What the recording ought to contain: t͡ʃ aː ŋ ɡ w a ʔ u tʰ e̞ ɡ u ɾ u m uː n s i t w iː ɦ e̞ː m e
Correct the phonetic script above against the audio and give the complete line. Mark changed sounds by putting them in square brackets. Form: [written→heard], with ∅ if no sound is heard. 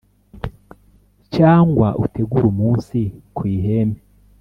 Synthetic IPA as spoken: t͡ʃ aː ŋ ɡ w a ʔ u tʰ e̞ ɡ u ɾ u m uː n s i [t→k] w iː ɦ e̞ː m e